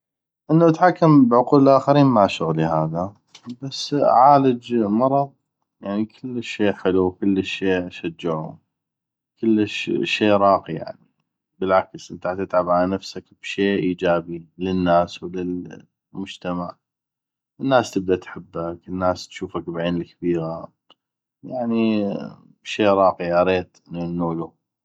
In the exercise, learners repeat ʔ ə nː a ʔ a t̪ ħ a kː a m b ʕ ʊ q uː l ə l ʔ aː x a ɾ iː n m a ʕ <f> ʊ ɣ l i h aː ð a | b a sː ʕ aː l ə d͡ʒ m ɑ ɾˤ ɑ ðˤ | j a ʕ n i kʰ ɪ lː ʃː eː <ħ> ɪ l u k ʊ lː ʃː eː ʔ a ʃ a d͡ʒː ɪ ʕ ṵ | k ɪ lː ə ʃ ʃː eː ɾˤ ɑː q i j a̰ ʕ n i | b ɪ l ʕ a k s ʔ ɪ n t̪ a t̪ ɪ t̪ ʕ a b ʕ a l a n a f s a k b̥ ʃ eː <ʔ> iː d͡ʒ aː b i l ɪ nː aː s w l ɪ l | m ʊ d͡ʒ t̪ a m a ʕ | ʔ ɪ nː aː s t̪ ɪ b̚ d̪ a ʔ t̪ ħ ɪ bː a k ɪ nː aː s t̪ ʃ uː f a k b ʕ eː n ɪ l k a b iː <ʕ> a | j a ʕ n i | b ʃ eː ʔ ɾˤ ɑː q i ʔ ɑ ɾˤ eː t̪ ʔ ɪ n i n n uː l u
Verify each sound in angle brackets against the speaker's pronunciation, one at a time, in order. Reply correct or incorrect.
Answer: incorrect: ʃ, correct, correct, incorrect: ɣ

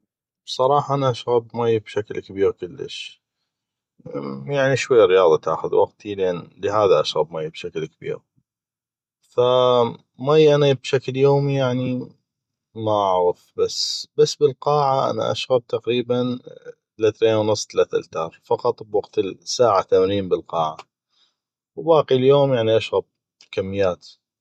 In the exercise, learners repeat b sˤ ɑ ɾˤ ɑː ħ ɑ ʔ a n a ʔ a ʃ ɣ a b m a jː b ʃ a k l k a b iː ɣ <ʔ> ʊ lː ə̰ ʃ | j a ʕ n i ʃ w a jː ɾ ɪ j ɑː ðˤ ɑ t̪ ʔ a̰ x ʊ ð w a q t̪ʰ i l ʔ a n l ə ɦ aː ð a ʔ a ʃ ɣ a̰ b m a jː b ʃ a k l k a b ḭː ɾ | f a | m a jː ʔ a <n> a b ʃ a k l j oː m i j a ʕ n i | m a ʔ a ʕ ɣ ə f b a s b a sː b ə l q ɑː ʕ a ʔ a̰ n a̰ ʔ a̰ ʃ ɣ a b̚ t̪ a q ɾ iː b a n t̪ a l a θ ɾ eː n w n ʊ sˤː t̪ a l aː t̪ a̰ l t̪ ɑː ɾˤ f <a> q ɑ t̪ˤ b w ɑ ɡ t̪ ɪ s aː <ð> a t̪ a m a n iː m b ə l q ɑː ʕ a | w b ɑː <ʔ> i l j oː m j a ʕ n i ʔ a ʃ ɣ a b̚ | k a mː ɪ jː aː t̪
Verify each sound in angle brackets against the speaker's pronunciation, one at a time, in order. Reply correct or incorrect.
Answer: incorrect: k, correct, incorrect: ɑ, incorrect: ʕ, incorrect: q

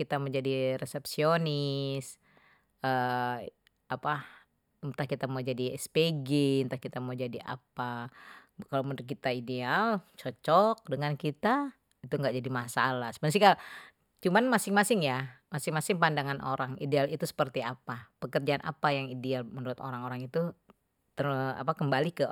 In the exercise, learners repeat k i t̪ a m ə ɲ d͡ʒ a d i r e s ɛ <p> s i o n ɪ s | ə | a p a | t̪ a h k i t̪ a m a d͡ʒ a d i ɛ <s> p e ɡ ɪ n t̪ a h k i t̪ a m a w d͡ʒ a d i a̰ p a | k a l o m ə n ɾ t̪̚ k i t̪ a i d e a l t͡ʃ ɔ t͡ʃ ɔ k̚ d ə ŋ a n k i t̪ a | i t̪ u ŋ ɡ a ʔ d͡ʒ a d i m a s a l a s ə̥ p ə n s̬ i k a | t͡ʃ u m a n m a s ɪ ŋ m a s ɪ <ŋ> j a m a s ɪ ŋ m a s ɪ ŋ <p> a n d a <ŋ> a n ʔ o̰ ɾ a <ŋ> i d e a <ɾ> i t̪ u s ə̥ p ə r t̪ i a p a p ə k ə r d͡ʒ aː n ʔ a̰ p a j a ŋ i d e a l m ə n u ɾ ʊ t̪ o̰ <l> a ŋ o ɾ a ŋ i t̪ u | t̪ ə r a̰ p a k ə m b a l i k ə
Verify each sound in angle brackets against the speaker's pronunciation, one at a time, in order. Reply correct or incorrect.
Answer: correct, correct, correct, correct, correct, correct, incorrect: l, incorrect: ɾ

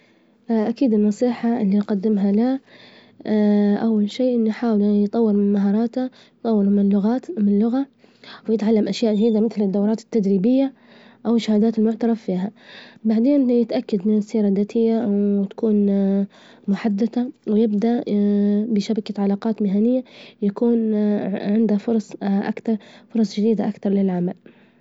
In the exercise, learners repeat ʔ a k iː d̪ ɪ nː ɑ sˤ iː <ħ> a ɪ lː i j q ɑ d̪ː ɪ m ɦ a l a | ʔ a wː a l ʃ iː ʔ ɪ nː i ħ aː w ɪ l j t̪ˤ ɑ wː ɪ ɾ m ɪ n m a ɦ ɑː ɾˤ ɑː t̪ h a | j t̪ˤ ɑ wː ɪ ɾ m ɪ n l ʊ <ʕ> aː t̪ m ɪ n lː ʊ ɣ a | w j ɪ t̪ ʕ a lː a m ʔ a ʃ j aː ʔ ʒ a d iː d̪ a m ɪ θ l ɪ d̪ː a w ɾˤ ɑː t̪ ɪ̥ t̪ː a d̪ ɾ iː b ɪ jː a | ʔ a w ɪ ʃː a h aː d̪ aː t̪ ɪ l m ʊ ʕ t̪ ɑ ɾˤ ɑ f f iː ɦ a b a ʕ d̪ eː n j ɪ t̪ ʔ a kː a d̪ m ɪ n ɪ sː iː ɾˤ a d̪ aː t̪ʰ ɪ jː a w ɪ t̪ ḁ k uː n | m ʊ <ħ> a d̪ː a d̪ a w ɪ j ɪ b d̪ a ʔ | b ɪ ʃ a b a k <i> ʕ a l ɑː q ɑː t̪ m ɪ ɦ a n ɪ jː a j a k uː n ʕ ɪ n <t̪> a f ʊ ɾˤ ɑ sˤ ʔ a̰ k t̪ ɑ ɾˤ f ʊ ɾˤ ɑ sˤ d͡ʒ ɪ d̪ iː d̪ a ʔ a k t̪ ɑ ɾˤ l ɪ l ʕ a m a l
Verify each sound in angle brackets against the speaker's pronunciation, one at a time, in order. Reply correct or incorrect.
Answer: correct, incorrect: ɣ, correct, incorrect: a, incorrect: d̪

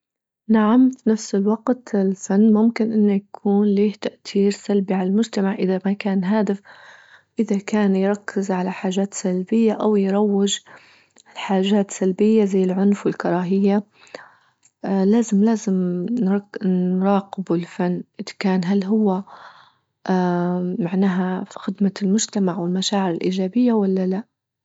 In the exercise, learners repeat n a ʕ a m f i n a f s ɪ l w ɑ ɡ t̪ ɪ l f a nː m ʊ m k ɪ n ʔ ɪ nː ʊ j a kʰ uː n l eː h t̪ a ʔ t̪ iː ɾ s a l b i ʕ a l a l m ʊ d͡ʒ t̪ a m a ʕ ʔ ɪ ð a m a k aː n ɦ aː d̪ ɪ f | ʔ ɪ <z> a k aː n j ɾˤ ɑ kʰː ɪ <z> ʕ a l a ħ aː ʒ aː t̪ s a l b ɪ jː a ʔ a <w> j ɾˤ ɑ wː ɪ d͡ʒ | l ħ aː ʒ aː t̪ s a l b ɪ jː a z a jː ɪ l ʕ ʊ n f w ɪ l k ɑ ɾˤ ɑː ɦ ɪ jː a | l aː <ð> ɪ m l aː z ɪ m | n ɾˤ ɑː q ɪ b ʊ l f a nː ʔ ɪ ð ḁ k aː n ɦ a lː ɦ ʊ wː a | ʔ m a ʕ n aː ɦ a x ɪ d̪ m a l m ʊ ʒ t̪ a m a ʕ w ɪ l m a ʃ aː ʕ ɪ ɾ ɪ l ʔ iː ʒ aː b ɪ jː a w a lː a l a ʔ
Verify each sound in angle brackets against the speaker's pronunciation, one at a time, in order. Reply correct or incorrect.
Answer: incorrect: ð, correct, correct, incorrect: z

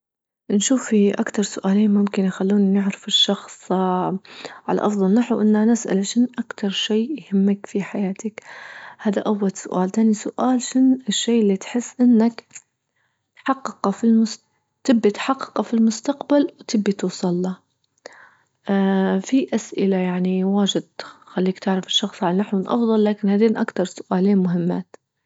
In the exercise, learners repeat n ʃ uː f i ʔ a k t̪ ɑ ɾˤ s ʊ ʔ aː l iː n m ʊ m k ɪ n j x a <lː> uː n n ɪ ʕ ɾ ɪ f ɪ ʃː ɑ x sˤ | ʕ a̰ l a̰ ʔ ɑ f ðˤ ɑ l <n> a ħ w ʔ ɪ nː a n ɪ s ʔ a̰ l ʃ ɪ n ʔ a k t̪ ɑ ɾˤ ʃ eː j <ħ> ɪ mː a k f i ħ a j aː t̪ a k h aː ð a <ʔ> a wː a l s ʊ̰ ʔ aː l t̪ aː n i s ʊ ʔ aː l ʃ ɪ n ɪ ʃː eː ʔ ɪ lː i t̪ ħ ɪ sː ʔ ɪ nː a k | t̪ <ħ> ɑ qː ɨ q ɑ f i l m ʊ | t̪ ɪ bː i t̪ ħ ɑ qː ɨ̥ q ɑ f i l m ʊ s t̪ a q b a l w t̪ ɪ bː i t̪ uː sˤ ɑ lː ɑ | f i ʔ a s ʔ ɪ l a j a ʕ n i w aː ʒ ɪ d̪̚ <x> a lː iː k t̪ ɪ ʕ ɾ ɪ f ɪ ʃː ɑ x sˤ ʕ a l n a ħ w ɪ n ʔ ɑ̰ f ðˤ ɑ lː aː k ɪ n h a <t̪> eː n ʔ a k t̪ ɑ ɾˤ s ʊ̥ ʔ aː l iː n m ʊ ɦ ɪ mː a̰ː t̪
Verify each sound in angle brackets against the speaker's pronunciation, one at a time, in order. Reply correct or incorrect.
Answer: correct, correct, incorrect: h, correct, correct, correct, incorrect: d̪

